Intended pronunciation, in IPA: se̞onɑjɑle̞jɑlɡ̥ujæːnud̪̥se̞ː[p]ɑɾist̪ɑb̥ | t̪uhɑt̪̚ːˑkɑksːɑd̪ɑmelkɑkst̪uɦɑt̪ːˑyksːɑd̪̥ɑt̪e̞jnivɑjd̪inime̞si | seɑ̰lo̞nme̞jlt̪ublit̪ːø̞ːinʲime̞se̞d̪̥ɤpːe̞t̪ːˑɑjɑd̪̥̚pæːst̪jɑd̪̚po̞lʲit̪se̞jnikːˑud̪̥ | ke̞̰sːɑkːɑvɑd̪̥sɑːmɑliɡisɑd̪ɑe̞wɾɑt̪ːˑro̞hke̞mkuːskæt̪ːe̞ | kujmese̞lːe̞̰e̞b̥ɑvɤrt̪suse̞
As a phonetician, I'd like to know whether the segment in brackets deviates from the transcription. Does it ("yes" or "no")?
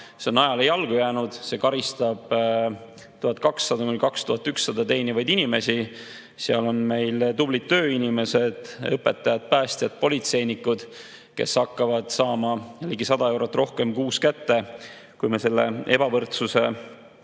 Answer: yes